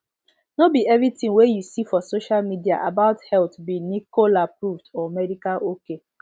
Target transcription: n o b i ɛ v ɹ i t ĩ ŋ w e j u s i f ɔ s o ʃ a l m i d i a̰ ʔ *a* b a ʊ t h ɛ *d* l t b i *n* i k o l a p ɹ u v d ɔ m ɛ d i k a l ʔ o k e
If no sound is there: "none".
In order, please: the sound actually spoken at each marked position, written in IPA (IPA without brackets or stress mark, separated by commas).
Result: a, none, n